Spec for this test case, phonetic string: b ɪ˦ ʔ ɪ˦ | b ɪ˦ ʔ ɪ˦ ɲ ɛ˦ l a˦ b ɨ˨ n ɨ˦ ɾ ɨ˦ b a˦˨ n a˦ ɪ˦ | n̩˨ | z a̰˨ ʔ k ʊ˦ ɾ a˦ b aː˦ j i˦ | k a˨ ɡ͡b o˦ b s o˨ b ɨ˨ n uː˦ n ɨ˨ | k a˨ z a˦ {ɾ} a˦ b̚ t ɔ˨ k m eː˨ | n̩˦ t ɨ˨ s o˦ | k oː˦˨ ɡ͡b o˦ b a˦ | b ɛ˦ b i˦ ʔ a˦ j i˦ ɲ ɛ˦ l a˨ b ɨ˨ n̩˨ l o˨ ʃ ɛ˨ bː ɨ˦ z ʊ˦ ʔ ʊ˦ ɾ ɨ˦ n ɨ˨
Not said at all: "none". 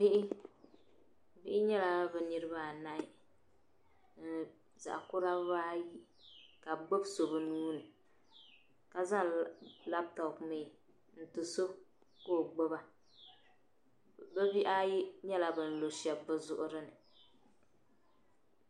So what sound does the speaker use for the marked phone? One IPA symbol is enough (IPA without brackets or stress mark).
l